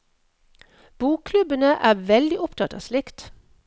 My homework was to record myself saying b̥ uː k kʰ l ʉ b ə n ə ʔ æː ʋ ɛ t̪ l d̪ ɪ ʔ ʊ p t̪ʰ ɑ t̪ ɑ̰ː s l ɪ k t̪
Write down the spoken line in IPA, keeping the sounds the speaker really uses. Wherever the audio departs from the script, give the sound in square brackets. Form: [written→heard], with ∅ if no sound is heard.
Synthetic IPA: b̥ uː k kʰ l ʉ b ə n ə ʔ æː ʋ ɛ [t̪→∅] l d̪ ɪ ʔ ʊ p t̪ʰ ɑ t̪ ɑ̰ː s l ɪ k t̪